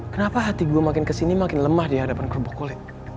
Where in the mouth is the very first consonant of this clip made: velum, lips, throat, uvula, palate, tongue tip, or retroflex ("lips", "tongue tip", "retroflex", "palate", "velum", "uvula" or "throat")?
velum